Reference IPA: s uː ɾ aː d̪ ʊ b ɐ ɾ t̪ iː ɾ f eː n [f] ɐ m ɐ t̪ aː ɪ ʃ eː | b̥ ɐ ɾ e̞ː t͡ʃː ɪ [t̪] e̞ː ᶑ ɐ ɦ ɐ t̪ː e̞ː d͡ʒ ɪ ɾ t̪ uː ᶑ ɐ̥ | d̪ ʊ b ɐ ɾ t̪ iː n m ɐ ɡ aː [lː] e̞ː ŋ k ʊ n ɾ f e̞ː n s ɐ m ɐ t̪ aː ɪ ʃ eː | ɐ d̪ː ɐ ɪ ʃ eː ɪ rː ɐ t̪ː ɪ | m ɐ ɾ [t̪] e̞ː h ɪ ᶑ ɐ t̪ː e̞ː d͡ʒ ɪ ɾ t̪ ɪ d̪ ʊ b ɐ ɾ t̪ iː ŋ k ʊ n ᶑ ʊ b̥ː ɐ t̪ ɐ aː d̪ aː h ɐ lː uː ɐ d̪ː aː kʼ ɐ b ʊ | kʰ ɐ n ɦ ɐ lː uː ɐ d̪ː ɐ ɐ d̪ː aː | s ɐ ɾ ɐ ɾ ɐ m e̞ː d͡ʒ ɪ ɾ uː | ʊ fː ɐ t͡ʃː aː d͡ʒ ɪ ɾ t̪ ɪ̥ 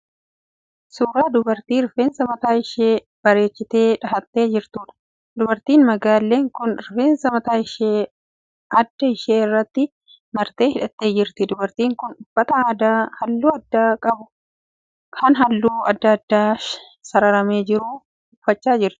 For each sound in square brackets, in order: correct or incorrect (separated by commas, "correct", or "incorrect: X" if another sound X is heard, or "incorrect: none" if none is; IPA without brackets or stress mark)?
incorrect: s, correct, correct, correct